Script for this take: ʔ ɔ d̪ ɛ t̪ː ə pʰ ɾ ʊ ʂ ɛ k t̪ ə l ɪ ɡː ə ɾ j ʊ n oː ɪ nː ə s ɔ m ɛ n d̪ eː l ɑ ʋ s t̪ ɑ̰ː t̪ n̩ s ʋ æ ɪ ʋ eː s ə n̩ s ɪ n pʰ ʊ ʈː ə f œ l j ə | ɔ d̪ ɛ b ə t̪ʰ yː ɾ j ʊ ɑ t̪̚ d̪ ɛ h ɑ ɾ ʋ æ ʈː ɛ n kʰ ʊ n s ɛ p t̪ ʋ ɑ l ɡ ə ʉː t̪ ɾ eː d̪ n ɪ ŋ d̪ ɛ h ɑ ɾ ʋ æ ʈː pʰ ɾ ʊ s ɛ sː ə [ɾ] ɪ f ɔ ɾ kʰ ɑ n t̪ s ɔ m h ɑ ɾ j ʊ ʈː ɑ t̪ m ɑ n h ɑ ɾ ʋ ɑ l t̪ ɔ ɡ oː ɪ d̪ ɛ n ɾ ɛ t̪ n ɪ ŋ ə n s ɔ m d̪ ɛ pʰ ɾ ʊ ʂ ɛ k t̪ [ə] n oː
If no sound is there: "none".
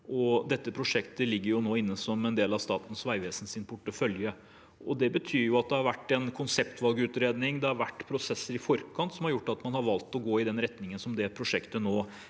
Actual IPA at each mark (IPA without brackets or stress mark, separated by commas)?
ɾ, ə